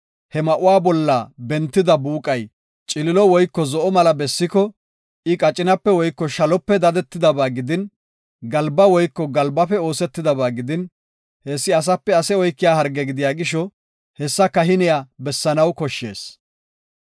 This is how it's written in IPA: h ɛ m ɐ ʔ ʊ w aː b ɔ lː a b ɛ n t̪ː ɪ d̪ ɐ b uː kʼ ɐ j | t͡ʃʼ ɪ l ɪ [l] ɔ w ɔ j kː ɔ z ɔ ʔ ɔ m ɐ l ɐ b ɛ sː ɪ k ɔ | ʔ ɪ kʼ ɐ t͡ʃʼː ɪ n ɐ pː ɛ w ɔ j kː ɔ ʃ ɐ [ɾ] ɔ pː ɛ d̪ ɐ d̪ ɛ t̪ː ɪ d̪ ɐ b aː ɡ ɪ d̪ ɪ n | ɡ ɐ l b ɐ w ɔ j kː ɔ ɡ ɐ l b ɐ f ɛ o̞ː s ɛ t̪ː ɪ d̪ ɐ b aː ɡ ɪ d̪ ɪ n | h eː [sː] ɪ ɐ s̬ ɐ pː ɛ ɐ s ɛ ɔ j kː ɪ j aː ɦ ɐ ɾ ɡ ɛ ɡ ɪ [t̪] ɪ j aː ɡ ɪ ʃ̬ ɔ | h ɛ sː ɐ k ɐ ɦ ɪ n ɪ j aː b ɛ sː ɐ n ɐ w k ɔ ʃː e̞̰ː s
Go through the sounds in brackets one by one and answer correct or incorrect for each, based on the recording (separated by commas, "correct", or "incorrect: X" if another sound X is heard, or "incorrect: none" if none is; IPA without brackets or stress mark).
correct, incorrect: l, correct, incorrect: d̪